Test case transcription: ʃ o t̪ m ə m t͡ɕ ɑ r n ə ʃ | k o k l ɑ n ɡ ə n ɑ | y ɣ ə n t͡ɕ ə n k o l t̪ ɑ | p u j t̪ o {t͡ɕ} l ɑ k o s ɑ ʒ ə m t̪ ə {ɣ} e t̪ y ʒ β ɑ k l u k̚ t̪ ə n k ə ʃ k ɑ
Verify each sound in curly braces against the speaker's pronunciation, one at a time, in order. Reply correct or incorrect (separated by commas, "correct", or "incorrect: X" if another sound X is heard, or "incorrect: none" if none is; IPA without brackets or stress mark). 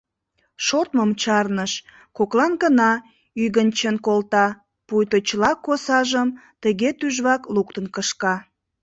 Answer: correct, correct